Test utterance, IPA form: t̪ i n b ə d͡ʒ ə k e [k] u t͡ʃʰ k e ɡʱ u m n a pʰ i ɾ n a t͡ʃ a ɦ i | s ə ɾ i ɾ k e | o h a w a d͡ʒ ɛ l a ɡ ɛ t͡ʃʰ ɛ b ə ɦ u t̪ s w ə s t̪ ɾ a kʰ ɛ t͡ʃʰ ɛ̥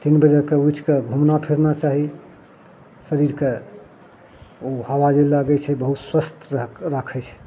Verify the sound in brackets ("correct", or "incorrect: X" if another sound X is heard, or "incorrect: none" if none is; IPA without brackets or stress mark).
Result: incorrect: none